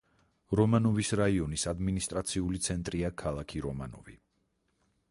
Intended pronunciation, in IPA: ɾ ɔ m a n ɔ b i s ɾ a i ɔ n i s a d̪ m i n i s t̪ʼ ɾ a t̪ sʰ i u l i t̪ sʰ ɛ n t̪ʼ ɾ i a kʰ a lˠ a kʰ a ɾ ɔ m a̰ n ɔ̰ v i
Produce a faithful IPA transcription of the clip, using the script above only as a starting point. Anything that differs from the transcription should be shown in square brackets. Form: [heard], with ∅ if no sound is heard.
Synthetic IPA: ɾ ɔ m a n ɔ [v] i s ɾ a i ɔ n i s a d̪ m i n i s t̪ʼ ɾ a t̪ sʰ i u l i t̪ sʰ ɛ n t̪ʼ ɾ i a kʰ a lˠ a kʰ [i] ɾ ɔ m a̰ n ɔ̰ v i